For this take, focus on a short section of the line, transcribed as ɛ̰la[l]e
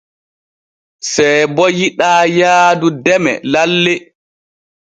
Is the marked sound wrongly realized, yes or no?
yes